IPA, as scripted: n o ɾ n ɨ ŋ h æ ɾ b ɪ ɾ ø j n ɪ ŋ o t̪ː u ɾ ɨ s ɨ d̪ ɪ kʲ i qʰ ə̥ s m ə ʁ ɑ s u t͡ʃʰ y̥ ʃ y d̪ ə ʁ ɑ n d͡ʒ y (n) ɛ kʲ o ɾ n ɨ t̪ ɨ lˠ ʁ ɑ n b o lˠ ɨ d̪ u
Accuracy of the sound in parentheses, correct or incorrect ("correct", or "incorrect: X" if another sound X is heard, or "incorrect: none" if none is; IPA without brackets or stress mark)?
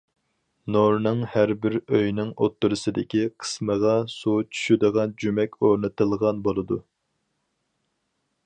incorrect: m